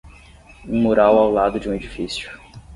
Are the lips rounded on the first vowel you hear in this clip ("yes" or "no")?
yes